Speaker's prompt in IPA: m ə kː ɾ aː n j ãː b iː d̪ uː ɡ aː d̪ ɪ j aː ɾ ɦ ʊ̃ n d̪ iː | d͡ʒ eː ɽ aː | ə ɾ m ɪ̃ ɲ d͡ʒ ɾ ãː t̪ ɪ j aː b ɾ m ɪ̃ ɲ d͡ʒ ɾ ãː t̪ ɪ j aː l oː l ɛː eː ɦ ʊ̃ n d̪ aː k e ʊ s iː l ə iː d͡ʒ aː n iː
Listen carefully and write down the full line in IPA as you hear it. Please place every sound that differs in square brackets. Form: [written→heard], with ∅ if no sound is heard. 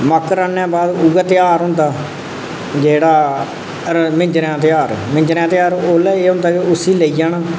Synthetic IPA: m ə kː ɾ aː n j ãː b [iː→aː] d̪ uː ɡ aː [d̪→t̪] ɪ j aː ɾ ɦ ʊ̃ n d̪ [iː→aː] | d͡ʒ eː ɽ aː | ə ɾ m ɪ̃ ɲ d͡ʒ ɾ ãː t̪ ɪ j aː [b→∅] ɾ m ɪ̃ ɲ d͡ʒ ɾ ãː t̪ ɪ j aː [l→ɾ] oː l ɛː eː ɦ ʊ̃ n d̪ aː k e ʊ s iː l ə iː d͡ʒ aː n [iː→aː]

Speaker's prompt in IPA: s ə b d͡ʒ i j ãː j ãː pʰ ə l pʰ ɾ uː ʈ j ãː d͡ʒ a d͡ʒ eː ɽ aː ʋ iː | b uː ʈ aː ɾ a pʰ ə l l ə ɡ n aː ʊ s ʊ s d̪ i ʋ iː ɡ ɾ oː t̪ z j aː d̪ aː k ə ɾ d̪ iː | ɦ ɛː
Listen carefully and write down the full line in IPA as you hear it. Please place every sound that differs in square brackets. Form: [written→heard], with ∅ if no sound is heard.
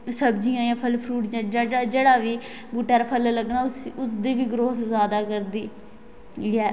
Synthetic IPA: s ə b d͡ʒ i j ãː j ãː pʰ ə l pʰ ɾ uː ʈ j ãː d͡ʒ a d͡ʒ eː ɽ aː ʋ iː | b uː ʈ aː ɾ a pʰ ə l l ə ɡ n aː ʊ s ʊ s d̪ [i→iː] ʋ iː ɡ ɾ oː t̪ z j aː d̪ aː k ə ɾ d̪ iː | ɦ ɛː

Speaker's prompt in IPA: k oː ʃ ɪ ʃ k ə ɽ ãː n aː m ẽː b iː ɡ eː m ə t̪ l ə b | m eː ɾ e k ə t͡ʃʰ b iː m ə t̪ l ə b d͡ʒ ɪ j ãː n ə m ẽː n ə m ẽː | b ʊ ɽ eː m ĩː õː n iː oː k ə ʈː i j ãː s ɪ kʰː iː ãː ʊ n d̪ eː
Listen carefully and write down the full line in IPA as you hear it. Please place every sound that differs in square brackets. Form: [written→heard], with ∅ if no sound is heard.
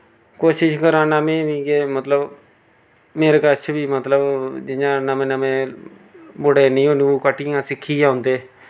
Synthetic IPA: k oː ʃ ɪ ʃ k ə [ɽ→ɾ] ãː n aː m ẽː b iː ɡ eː m ə t̪ l ə b | m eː ɾ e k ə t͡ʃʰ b iː m ə t̪ l ə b d͡ʒ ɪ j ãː n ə m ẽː n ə m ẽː | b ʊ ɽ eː [m→n] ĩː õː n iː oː k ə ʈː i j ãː s ɪ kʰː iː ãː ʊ n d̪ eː

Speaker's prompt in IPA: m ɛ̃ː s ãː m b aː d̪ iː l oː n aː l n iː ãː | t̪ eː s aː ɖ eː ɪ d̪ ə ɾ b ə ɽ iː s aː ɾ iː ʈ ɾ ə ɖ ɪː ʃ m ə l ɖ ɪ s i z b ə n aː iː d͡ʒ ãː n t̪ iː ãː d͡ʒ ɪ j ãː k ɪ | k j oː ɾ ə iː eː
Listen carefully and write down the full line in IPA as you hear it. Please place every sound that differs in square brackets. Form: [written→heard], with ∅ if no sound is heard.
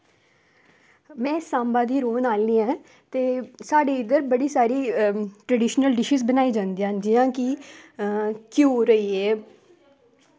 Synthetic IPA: m ɛ̃ː s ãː m b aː d̪ iː [l→ɾ] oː n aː l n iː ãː | t̪ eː s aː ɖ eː ɪ d̪ ə ɾ b ə ɽ iː s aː ɾ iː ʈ ɾ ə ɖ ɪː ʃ [m→n] ə l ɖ ɪ [s→ʃ] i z b ə n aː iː d͡ʒ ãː n [t̪→d̪] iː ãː d͡ʒ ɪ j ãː k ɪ | k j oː ɾ ə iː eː

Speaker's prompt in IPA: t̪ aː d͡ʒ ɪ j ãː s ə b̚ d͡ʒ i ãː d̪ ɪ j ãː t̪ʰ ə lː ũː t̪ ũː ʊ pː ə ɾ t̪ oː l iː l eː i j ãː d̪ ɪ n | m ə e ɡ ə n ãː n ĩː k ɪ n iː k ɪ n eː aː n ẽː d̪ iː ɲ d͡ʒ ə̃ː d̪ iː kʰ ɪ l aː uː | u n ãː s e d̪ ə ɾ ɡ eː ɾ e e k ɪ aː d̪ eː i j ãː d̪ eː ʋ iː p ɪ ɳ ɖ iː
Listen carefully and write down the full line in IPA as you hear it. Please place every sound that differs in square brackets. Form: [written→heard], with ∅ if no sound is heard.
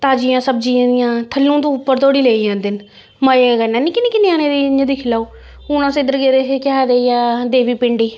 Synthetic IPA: t̪ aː d͡ʒ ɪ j ãː s ə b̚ d͡ʒ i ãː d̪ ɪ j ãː t̪ʰ ə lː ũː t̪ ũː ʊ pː ə ɾ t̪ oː [l→ɽ] iː l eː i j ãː d̪ ɪ n | m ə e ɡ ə n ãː n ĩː k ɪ n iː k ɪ n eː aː n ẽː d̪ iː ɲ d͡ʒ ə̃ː d̪ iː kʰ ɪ l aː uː | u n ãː s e d̪ ə ɾ ɡ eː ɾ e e k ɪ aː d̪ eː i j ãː d̪ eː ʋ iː p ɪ ɳ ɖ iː

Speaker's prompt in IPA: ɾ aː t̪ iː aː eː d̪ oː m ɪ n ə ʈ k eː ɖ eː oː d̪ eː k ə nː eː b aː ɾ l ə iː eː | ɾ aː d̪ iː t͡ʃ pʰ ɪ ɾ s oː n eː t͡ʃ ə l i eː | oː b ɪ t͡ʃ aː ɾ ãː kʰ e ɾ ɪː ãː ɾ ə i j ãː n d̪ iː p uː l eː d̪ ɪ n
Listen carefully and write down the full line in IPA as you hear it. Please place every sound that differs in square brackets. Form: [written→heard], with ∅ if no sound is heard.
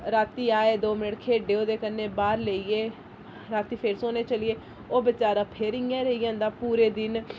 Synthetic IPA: ɾ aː t̪ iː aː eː d̪ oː m ɪ n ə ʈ [k→kʰ] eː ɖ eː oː d̪ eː k ə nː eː b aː ɾ l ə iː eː | ɾ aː [d̪→t̪] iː [t͡ʃ→∅] pʰ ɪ ɾ s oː n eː t͡ʃ ə l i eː | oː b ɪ t͡ʃ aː ɾ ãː [kʰ→pʰ] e ɾ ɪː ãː ɾ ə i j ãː n d̪ [iː→aː] p uː [l→ɾ] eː d̪ ɪ n

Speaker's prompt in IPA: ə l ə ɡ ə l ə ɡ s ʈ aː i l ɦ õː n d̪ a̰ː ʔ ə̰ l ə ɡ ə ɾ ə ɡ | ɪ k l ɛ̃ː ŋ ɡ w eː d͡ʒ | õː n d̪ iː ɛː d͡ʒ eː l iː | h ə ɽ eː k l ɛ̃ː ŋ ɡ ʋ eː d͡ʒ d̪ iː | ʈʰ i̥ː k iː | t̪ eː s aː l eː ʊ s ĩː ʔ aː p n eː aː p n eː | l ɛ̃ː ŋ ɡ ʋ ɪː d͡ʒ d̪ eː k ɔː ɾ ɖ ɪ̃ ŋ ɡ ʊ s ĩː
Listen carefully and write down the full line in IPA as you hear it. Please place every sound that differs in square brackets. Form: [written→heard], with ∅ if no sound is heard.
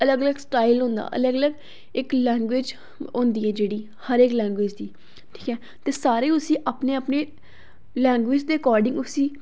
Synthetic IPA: ə l ə ɡ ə l ə ɡ s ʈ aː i l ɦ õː n d̪ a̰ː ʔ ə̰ l ə ɡ ə [ɾ→l] ə ɡ | ɪ k l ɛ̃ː ŋ ɡ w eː d͡ʒ | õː n d̪ iː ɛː d͡ʒ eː [l→ɽ] iː | h ə [ɽ→ɾ] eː k l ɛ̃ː ŋ ɡ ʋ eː d͡ʒ d̪ iː | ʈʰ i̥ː k [iː→ɛː] | t̪ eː s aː [l→ɾ] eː ʊ s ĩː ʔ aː p n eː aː p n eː | l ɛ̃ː ŋ ɡ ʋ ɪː d͡ʒ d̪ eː k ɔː ɾ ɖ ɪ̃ ŋ ɡ ʊ s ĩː

